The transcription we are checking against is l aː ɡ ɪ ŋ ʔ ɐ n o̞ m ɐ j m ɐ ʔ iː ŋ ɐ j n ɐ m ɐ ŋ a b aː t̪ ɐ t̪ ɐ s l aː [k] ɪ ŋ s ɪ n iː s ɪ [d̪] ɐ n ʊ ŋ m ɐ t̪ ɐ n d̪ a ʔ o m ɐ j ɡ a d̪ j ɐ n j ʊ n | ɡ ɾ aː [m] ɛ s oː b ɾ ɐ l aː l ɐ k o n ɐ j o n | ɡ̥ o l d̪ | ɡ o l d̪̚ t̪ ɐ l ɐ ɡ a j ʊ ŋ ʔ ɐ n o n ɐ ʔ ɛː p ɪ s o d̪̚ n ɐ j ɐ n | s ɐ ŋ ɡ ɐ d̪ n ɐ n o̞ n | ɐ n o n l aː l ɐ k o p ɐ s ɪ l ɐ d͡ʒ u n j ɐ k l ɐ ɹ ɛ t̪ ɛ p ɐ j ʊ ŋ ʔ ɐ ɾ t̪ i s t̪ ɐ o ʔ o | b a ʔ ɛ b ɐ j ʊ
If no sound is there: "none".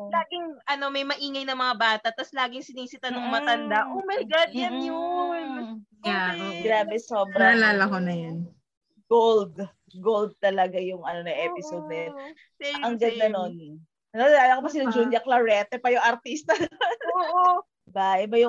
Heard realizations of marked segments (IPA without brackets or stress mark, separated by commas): ɡ, t̪, b